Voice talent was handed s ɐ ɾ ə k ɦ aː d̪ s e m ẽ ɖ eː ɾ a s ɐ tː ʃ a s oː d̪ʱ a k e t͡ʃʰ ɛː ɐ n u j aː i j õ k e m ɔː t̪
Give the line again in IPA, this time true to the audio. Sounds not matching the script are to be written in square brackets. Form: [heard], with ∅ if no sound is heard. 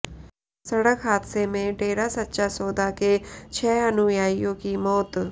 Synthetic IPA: s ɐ [ɽ] ə k ɦ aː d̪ s e m ẽ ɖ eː ɾ a s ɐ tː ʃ a s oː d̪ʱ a k e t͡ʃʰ ɛː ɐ n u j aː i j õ k [i] m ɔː t̪